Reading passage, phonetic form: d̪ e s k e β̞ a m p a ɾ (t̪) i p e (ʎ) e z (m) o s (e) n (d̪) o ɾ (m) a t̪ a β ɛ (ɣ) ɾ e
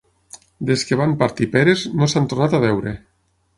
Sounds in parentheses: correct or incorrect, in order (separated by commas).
correct, incorrect, incorrect, incorrect, incorrect, incorrect, incorrect